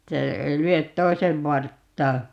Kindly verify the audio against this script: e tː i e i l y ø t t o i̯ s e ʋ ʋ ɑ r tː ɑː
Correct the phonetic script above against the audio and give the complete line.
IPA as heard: e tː æ e i l y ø t t o i̯ s e ʋ ʋ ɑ r tː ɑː

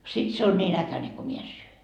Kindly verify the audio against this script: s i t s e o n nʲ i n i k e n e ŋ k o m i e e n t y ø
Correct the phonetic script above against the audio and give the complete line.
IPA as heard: s i t s e o n nʲ iː n æ k æ n e ŋ k o m i e e n s y ø

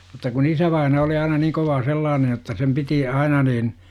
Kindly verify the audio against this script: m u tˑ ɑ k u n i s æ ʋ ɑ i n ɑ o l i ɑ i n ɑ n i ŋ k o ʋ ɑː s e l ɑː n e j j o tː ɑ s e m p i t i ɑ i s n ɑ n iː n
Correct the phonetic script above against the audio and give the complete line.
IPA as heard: m u tˑ ɑ k u n i s æ ʋ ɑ i n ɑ o l i ɑ i n ɑ n iː ŋ k o ʋ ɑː s e lː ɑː n e j j o tː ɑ s e m p i t i ɑ i n ɑ n iː n

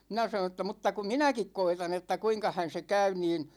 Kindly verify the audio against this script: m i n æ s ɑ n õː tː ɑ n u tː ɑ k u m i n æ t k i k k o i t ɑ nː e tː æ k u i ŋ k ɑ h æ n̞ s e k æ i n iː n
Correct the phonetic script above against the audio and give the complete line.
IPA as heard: m i n æ s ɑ n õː tː ɑ m u tː ɑ k u m i n æ k i k k o i t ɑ n e tː æ k u i ŋ k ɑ h æ n̞ s e k æ y n iː n

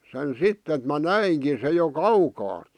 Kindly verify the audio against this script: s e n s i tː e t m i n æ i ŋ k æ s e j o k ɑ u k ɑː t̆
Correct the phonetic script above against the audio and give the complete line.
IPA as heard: s e n s i tː e t m æ n æ i ŋ k i s e j o k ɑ u k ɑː t̆

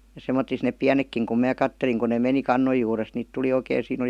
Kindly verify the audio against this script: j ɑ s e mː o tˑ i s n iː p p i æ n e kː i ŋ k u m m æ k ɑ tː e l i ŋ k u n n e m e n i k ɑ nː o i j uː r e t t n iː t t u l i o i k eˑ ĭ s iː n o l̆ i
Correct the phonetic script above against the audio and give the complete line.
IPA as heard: j ɑ s e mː o tˑ i s n eː p p i æ n e kː i ŋ k u m m æː k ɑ tː e l i ŋ k u n n e m e n i k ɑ nː o j j uː r e s t n iː t t u l i o i k eˑ ĭ s iː n o l̆ i

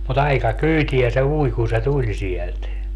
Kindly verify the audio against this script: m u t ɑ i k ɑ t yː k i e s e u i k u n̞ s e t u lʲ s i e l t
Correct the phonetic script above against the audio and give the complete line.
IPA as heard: m u t ɑ i k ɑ k yː t i æ s e u i k u n̞ s e t u lʲ s i e l t

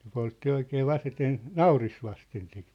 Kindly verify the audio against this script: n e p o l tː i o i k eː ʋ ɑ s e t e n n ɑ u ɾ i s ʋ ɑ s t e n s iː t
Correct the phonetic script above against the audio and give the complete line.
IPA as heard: n e p o l tː i o i k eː ʋ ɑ s e t e n n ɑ u r i s ʋ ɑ s t e n s i t

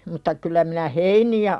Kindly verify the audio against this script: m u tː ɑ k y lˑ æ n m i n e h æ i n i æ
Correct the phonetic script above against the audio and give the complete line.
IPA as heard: m u tː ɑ k y lˑ æ m i n æ h e i n i æ

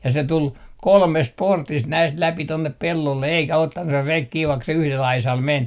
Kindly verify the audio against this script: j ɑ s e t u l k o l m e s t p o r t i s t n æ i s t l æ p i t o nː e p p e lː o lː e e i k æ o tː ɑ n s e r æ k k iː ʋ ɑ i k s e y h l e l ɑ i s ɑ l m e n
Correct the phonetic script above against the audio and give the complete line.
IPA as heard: j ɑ s e t u l k o l m e s t p o r t i s t n æ i s t l æ p i t o nː e p p e lː o lː e e i k æ o tː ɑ n s e r e k k iː ʋ ɑ i k s e y h l e l ɑ i s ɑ l m e n

